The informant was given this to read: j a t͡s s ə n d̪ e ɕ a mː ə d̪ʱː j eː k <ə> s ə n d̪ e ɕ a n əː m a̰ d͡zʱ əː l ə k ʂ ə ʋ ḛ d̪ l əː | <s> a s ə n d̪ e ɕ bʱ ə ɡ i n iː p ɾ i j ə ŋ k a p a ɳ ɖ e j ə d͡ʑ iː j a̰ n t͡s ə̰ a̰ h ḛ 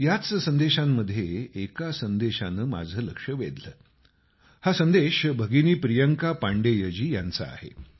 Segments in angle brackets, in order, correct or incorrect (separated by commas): incorrect, incorrect